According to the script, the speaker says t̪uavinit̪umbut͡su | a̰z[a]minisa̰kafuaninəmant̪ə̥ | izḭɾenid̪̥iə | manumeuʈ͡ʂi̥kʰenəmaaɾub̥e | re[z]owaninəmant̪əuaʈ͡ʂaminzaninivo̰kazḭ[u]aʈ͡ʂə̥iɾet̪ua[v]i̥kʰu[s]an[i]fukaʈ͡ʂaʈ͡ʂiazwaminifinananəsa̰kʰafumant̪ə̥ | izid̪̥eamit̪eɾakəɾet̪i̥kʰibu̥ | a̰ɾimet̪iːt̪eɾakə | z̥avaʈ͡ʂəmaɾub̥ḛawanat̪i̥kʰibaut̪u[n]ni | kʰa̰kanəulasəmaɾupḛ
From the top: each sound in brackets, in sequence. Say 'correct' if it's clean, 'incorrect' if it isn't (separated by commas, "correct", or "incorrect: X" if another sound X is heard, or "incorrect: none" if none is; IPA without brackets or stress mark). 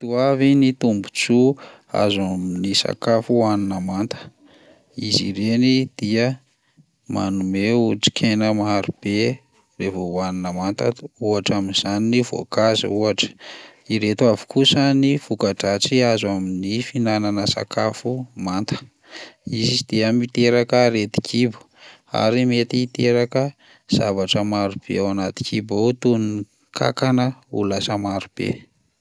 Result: correct, incorrect: v, correct, correct, correct, correct, correct